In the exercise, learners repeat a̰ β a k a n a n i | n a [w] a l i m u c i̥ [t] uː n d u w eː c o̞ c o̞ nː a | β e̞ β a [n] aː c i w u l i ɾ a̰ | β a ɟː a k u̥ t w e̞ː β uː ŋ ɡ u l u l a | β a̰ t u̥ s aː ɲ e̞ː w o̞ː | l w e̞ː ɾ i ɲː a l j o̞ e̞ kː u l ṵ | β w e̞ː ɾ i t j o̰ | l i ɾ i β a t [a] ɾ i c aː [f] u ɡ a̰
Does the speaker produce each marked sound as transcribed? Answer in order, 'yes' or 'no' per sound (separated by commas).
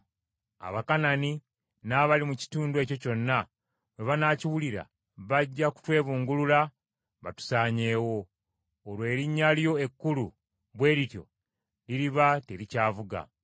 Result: no, yes, yes, no, no